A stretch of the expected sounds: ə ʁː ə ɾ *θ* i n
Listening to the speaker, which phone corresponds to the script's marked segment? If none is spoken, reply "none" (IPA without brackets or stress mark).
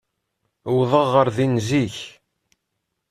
ð